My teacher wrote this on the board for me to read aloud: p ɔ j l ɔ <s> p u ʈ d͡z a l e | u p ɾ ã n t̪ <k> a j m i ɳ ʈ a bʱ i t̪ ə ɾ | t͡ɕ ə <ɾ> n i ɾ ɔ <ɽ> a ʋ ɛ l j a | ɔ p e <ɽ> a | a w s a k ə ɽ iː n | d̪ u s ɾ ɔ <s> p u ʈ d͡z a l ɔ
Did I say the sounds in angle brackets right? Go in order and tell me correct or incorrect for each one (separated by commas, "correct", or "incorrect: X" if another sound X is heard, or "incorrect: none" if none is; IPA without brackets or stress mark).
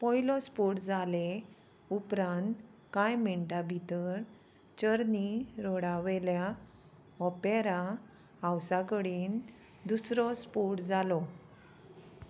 correct, correct, correct, correct, incorrect: ɾ, correct